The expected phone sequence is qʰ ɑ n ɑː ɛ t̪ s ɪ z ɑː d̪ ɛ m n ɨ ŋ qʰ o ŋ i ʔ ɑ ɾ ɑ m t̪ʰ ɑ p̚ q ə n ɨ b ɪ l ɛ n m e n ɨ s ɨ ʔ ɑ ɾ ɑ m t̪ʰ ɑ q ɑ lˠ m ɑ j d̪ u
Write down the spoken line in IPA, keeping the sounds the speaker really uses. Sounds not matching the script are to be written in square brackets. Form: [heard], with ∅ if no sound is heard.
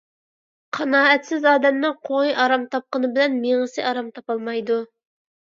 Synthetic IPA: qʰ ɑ n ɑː ɛ t̪ s ɪ z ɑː d̪ ɛ m n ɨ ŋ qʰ o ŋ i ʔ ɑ ɾ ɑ m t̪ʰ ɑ p̚ q ə n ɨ b ɪ l ɛ n m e [ŋ] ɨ s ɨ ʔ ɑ ɾ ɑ m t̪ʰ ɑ [p] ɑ lˠ m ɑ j d̪ u